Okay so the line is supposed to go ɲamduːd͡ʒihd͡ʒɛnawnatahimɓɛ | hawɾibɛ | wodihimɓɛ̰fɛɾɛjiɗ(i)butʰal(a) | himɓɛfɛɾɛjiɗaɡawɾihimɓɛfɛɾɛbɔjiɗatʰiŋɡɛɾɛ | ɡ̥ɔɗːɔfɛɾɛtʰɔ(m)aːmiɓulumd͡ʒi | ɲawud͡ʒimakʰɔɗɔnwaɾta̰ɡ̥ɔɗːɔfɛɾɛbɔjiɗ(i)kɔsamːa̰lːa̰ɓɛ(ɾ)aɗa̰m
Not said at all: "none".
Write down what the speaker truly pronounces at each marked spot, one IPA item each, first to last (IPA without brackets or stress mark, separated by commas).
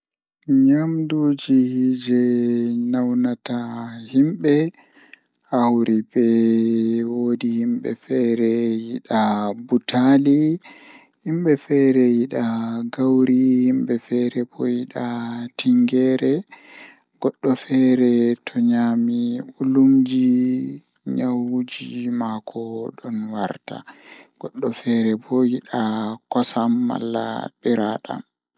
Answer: a, i, ɲ, a, ɾ